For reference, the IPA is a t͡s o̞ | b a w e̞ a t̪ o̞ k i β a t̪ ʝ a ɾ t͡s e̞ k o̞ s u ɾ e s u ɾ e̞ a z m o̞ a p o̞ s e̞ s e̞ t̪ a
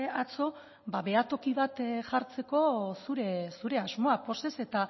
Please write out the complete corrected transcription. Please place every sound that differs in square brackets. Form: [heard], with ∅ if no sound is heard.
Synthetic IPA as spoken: a t͡s o̞ | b a [β] e̞ a t̪ o̞ k i β a t̪ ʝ a ɾ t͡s e̞ k o̞ s u ɾ e s u ɾ e̞ a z m o̞ a p o̞ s e̞ s e̞ t̪ a